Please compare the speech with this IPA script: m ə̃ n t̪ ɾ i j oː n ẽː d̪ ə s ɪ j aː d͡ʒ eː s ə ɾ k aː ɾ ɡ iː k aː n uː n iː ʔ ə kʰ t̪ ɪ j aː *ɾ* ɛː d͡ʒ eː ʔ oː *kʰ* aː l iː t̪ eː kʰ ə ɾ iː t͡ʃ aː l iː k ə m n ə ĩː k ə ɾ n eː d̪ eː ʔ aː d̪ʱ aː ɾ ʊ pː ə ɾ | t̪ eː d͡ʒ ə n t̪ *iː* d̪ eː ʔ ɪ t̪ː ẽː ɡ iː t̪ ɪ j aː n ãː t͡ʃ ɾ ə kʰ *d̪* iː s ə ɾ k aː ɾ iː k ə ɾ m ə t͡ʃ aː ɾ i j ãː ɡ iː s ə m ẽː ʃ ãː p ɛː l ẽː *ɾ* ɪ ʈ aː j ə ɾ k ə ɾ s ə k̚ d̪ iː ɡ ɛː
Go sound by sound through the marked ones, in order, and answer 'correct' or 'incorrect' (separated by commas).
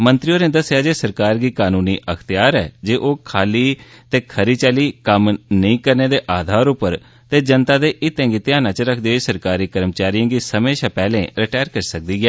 correct, correct, incorrect, correct, correct